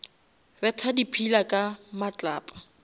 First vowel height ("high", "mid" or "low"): mid